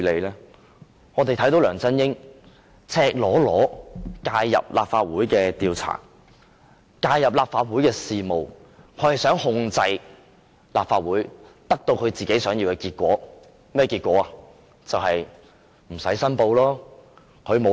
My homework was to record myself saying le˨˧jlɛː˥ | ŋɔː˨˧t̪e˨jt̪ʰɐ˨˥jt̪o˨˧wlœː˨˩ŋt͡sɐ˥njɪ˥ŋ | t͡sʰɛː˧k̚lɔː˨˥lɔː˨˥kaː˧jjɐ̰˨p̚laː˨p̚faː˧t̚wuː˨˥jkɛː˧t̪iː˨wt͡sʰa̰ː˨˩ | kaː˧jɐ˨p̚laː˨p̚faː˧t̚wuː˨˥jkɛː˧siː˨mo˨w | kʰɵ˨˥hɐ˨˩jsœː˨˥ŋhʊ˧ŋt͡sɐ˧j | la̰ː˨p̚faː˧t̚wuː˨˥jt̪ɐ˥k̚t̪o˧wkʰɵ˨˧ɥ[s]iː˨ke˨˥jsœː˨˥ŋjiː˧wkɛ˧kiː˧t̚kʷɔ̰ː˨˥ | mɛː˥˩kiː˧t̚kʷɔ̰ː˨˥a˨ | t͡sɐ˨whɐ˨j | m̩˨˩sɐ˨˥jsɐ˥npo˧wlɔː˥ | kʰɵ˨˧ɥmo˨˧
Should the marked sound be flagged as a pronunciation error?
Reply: yes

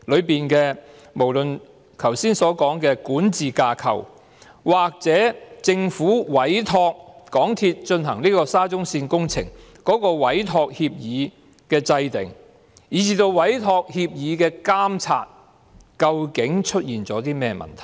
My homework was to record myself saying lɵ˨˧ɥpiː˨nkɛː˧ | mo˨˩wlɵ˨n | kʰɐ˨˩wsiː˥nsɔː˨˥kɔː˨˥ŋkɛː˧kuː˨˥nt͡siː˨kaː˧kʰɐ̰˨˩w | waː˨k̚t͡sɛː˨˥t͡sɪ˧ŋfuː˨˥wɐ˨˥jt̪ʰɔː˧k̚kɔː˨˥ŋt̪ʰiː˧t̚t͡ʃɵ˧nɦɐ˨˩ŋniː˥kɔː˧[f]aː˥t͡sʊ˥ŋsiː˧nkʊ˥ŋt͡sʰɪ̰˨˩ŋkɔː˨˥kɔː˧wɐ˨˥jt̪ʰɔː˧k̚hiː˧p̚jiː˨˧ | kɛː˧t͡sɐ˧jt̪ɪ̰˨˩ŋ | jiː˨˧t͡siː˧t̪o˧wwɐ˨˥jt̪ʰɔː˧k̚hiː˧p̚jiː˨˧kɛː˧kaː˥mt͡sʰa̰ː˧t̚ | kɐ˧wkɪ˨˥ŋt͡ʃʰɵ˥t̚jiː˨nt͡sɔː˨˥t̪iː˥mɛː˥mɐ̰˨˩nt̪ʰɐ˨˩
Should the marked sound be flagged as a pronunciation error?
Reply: yes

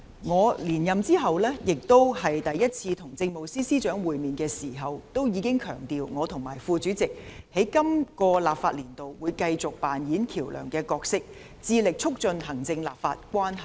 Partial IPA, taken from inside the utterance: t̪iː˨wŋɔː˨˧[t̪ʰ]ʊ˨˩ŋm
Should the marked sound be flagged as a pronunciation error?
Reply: no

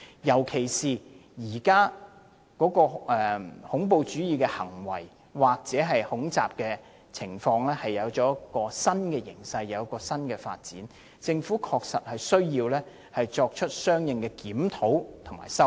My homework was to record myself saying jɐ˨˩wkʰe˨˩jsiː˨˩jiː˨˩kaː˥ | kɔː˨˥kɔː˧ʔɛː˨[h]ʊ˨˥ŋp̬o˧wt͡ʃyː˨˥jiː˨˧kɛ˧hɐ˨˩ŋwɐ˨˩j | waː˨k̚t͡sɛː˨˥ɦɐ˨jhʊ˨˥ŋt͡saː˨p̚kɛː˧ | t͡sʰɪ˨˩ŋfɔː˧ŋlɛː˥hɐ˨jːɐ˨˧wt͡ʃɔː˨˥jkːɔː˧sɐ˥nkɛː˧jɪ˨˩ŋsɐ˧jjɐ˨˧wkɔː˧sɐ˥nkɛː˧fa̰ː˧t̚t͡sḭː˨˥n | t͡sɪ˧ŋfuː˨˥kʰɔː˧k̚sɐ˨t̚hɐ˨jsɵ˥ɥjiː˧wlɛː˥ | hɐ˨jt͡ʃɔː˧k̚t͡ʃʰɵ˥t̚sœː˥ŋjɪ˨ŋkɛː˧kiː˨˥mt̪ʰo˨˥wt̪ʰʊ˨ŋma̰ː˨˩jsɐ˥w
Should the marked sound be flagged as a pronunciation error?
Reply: no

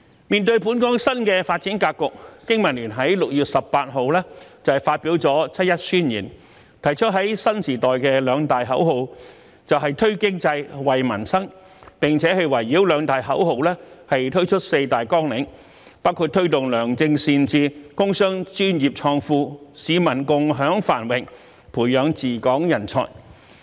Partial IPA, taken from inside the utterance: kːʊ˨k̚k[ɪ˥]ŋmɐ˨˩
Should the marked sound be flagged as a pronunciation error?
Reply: no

